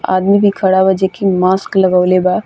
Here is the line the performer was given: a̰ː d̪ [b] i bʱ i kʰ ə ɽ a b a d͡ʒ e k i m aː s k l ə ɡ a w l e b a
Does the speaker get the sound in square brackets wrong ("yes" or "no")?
yes